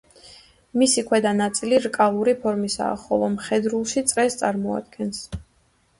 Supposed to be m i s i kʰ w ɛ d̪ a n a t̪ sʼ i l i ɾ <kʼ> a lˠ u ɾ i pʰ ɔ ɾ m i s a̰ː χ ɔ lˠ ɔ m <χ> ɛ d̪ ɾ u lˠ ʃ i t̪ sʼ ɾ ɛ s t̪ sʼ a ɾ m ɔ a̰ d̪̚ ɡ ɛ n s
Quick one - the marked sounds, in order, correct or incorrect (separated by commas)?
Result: correct, correct